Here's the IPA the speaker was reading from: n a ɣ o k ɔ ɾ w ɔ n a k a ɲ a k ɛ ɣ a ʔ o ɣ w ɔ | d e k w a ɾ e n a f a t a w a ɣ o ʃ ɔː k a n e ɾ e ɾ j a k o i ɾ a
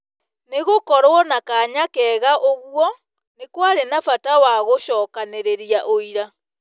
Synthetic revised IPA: n e ɣ o k ɔ ɾ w ɔ n a k a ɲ a k ɛ ɣ a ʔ o ɣ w ɔ | n e k w a ɾ e n a f a t a w a ɣ o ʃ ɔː k a n e ɾ e ɾ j a ʔ o i ɾ a